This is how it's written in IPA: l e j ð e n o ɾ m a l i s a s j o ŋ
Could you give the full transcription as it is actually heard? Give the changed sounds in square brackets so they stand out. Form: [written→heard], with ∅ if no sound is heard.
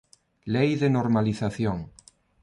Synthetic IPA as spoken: l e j ð e n o ɾ m a l i [s→θ] a [s→θ] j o ŋ